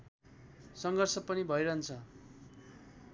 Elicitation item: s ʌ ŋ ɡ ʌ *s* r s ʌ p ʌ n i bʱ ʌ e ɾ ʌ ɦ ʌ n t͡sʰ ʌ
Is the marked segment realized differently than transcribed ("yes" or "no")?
yes